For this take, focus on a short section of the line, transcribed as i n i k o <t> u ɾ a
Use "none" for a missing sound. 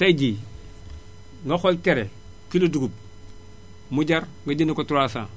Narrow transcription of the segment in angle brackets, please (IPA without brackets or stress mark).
t